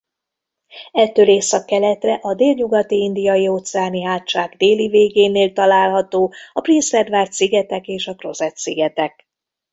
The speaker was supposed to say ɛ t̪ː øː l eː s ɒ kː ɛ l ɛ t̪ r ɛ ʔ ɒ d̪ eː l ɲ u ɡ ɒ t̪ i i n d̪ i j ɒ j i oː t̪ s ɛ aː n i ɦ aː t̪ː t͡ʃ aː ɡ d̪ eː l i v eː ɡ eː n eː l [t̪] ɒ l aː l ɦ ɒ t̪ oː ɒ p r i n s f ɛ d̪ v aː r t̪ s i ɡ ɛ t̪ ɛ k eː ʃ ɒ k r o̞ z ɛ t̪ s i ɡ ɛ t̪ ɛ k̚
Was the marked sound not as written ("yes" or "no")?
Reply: no